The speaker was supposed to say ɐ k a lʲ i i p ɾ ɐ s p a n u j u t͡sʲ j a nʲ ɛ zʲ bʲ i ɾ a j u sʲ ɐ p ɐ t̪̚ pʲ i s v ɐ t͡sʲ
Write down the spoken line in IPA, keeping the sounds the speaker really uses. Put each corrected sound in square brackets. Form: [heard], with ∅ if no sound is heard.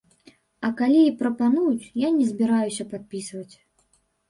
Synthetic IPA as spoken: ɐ k a lʲ i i p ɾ ɐ [∅] p a n u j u t͡sʲ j a nʲ ɛ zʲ bʲ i ɾ a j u sʲ ɐ p [a] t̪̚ pʲ i s v ɐ t͡sʲ